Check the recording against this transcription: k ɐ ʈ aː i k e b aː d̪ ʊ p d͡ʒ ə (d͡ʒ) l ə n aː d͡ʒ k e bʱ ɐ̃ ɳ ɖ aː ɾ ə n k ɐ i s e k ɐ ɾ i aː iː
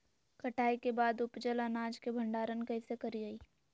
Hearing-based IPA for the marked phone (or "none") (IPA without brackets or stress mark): none